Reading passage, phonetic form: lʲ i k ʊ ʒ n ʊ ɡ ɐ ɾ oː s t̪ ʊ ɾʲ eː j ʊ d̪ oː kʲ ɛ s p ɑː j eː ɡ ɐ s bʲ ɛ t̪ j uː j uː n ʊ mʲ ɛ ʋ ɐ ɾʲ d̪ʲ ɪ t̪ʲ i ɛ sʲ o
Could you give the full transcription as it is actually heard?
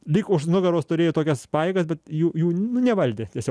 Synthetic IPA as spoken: lʲ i k ʊ ʃ n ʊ ɡ ɐ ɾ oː s t̪ ʊ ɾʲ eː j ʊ t̪ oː kʲ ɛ s p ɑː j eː ɡ ɐ s bʲ ɛ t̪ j uː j uː n ʊ nʲ ɛ ʋ ɐ lʲ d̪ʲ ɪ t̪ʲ i ɛ sʲ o